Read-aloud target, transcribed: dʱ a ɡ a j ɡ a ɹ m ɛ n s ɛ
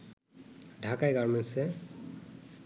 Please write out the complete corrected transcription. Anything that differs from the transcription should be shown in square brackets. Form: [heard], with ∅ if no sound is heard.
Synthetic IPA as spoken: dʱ a [k] a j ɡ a ɹ m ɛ n s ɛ